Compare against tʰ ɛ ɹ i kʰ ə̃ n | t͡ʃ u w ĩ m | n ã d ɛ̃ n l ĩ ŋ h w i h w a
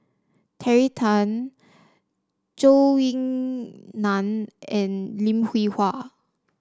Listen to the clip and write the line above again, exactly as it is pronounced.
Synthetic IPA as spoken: tʰ ɛ ɹ i tʰ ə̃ n | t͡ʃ o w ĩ ŋ | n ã n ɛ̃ n l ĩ m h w i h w a

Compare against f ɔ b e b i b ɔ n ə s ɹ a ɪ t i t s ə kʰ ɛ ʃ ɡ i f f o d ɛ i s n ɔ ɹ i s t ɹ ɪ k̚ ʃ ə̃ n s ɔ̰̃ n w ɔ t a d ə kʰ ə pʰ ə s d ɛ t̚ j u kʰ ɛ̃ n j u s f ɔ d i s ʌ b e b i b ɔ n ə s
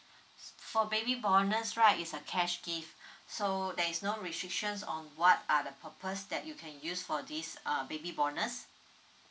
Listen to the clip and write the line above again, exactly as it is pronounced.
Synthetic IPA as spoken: f ɔ b e b i b ɔ n ə s ɹ a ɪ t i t s ə kʰ ɛ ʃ ɡ i f s o d ɛ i s n o ɹ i s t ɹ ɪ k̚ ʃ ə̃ n s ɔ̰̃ n w ɔ t a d ə pʰ ə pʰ ə s d ɛ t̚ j u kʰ ɛ̃ n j u s f ɔ d i s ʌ b e b i b ɔ n ə s

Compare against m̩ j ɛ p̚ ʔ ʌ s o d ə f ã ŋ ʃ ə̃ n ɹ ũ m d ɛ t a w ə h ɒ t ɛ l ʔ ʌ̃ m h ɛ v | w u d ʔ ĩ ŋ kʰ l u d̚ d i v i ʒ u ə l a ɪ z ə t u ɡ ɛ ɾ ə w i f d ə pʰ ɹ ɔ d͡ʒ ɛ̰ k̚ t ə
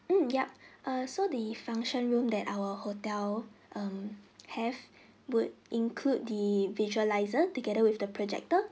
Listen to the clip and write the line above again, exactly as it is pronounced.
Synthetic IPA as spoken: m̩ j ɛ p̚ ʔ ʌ s o d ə f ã ŋ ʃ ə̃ n ɹ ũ m d ɛ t a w ə h o t ɛ l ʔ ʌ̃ m h ɛ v | w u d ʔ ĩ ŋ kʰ l u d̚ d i v i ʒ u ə l a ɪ z ə t u ɡ ɛ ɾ ə w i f d ə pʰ ɹ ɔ d͡ʒ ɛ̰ k̚ t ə

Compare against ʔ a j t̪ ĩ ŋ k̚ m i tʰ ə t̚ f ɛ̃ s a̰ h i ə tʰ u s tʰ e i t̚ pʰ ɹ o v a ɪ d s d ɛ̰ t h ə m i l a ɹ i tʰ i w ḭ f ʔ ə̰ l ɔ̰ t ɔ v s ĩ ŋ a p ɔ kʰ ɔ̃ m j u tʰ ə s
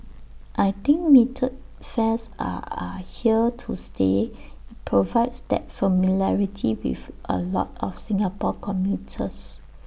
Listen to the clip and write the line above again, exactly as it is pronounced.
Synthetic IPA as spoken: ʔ a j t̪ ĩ ŋ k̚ m i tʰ ə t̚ f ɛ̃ s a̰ h i ə tʰ u s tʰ e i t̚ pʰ ɹ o v a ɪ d s d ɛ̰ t f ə m i l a ɹ i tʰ i w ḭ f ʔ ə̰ l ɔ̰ t ɔ f s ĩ ŋ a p ɔ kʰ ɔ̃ m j u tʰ ə s

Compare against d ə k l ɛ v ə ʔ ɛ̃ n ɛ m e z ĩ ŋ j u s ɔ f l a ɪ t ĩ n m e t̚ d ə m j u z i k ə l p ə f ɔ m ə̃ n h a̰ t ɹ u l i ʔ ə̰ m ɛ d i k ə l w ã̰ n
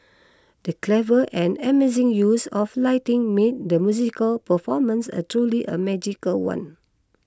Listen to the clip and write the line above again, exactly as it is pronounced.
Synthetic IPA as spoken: d ə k l ɛ v ə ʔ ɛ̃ n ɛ m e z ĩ ŋ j u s ɔ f l a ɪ t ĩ ŋ m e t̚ d ə m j u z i k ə l p ə f ɔ m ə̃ n s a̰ t ɹ u l i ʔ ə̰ m ɛ d͡ʒ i k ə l w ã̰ n

